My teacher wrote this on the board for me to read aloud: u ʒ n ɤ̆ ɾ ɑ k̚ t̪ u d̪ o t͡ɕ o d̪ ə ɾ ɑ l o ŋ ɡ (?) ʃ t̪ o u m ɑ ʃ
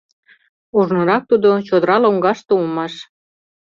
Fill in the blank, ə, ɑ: ɑ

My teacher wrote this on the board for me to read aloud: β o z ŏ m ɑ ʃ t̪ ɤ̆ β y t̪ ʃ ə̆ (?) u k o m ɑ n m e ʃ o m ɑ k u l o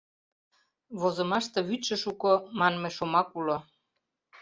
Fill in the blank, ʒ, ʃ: ʃ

